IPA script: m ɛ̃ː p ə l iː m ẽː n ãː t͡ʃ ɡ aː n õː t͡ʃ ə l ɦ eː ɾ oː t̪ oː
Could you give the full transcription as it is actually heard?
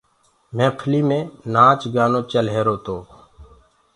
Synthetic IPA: m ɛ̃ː pʰ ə l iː m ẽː n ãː t͡ʃ ɡ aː n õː t͡ʃ ə l ɦ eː ɾ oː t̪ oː